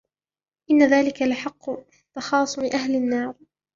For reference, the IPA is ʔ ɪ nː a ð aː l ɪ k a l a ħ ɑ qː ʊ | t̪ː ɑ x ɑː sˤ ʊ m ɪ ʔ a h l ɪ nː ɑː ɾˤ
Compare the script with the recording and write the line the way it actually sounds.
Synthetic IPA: ʔ ɪ nː a ð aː l ɪ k a l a ħ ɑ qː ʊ | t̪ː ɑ x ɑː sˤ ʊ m ɪ ʔ a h l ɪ nː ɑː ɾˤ